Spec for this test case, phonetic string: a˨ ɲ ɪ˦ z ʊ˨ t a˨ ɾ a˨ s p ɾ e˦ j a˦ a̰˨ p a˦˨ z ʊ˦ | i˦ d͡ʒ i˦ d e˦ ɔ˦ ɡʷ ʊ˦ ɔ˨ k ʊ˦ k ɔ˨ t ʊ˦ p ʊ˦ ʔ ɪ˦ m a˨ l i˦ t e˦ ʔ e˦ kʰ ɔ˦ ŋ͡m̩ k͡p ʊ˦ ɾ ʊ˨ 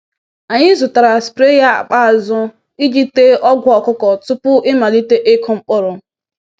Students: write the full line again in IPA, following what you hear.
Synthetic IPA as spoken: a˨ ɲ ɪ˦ z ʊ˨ t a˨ ɾ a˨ s p ɾ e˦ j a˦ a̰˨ k͡p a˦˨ z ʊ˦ | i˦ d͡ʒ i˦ t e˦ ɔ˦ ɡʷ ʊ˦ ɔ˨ k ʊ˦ k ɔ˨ t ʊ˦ p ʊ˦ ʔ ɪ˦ m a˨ l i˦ t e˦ ʔ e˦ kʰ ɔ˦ ŋ͡m̩ k͡p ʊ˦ ɾ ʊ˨